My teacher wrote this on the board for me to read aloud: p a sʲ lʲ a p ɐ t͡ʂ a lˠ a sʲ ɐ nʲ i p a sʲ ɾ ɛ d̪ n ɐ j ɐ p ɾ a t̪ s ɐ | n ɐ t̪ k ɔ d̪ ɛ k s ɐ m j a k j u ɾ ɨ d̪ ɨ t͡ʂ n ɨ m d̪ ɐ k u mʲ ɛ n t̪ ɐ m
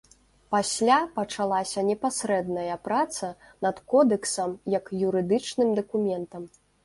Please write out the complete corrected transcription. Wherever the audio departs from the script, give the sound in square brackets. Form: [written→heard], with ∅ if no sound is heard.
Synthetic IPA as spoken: p a sʲ lʲ a p ɐ t͡ʂ a lˠ a sʲ ɐ nʲ [i→ɛ] p a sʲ ɾ ɛ d̪ n ɐ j ɐ p ɾ a t̪ s ɐ | n ɐ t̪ k ɔ d̪ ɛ k s ɐ m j [a→ɐ] k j u ɾ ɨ d̪ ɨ t͡ʂ n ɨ m d̪ ɐ k u mʲ ɛ n t̪ ɐ m